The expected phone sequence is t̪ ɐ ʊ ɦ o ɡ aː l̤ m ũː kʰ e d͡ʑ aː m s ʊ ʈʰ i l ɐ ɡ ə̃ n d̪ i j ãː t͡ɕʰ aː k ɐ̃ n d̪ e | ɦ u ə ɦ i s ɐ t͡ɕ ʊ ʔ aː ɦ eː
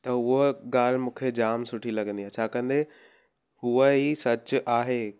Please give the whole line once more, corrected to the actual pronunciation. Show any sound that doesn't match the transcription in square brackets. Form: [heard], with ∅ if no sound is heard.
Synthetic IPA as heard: t̪ ɐ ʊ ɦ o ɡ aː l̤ m ũː kʰ e d͡ʑ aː m s ʊ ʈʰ i l ɐ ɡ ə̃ n d̪ i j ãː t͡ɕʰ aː k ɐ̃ n d̪ e | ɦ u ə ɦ i s ɐ t͡ɕ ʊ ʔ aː ɦ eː